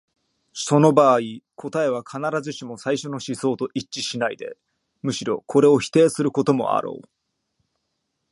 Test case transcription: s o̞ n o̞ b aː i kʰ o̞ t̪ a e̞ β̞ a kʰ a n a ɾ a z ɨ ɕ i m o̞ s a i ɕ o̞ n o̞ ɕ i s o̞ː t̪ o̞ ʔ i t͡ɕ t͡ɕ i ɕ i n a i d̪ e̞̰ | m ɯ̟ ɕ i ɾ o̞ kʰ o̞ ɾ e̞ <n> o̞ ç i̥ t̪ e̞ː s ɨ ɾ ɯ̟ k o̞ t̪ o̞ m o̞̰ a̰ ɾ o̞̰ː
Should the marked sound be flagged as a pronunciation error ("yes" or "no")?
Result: yes